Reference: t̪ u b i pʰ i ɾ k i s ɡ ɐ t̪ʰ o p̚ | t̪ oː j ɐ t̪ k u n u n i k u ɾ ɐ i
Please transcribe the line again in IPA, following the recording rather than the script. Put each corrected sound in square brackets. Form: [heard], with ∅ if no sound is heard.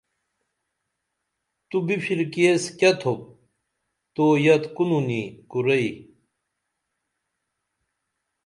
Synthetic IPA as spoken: t̪ u b i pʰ i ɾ k [e] s [k] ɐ t̪ʰ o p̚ | t̪ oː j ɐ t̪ k u n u n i k u ɾ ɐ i